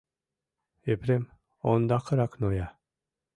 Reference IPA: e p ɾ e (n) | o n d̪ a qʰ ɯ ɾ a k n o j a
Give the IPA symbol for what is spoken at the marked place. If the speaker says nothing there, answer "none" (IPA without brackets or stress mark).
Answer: m